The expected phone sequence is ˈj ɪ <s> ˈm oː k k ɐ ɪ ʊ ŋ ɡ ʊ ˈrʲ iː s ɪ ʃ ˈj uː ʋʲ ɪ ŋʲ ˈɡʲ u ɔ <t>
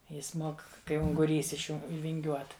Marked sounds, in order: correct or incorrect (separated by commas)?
correct, correct